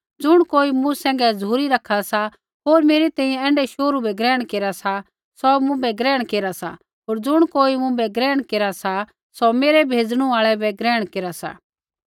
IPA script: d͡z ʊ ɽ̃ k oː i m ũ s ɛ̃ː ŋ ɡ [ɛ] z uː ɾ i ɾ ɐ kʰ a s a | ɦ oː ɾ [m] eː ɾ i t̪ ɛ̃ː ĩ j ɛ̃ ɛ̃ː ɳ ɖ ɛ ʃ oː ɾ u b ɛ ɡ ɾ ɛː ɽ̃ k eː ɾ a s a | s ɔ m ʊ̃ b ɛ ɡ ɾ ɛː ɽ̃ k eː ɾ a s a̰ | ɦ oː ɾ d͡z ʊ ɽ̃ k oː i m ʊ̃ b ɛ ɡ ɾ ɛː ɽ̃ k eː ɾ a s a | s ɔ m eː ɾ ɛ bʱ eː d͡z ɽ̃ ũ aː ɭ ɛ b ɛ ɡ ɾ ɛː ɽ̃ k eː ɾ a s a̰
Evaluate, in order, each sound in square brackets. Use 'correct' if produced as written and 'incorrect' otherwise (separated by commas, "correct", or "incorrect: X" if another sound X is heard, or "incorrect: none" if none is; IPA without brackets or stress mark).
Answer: correct, correct